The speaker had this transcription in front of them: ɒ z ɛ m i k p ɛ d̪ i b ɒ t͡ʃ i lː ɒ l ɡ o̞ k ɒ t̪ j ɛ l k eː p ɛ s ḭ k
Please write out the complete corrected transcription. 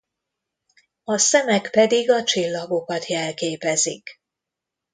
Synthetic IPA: ɒ s ɛ m ɛ k p ɛ d̪ i ɡ ɒ t͡ʃ i lː ɒ ɡ o̞ k ɒ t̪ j ɛ l k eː p ɛ z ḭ k